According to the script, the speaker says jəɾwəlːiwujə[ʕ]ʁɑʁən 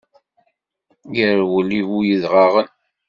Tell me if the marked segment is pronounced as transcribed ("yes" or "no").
no